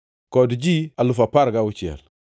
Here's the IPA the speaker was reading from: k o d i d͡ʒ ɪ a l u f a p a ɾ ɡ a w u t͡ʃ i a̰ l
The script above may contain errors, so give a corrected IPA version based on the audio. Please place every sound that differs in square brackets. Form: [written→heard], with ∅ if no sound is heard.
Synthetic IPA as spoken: k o d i d͡ʒ [ɪ→i] a l u f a p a ɾ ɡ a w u t͡ʃ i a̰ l